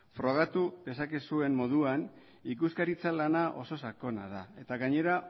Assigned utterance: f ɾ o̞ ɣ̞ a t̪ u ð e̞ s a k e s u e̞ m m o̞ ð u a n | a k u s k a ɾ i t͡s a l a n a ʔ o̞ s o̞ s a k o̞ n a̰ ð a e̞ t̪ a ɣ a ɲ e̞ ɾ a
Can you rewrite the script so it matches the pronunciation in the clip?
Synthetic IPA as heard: f ɾ o̞ ɣ̞ a t̪ u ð e̞ s a k e s u e̞ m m o̞ ð u a n | i k u s k a ɾ i t͡s a l a n a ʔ o̞ s o̞ s a k o̞ n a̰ ð a e̞ t̪ a ɣ a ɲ e̞ ɾ a